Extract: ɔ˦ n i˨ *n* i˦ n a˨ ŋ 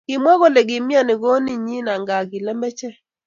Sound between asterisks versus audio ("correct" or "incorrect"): incorrect